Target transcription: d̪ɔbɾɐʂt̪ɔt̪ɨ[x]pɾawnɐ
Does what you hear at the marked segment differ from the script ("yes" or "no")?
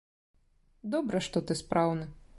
yes